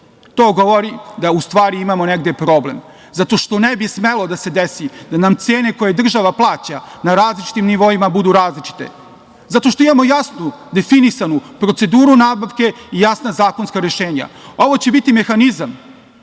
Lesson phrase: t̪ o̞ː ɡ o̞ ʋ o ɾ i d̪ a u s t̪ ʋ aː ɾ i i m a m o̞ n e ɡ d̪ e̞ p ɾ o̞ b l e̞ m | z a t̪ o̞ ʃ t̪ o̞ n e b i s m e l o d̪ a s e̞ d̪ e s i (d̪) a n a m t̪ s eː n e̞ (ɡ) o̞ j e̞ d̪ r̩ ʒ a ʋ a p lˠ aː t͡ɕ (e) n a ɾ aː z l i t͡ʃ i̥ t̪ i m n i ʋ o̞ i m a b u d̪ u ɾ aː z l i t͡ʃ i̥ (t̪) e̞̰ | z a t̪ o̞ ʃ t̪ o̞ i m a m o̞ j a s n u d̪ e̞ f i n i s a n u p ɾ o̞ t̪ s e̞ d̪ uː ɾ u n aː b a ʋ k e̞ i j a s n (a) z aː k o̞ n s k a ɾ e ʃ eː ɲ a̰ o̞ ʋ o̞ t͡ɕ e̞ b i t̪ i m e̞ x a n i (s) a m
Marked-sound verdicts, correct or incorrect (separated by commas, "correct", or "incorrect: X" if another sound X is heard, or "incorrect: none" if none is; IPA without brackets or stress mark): correct, incorrect: k, incorrect: a, correct, correct, incorrect: z